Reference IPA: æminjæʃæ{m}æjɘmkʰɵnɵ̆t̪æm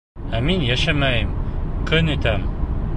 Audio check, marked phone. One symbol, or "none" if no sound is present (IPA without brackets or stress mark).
m